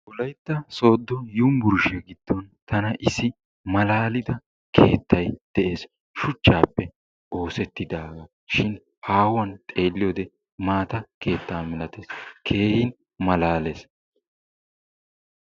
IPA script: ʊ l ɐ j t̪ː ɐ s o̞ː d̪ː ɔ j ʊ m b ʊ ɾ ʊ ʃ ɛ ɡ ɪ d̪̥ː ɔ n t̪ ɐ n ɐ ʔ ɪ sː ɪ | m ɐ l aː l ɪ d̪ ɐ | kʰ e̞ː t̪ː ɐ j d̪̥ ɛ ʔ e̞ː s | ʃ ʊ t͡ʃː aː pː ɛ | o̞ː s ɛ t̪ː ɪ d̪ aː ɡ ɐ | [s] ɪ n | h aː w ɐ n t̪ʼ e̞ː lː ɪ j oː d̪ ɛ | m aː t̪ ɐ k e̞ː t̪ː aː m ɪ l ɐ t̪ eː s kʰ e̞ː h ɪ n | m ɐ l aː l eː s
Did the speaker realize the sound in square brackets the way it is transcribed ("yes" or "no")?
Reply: no